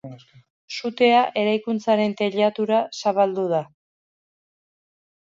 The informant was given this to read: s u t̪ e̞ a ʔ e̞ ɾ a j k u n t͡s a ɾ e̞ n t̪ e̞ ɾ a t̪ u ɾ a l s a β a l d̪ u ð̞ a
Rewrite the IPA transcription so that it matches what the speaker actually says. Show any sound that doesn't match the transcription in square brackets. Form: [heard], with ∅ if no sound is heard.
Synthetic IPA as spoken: s u t̪ e̞ a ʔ e̞ ɾ a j k u n t͡s a ɾ e̞ n t̪ e̞ [ʎ] a t̪ u ɾ a [∅] s a β a l d̪ u ð̞ a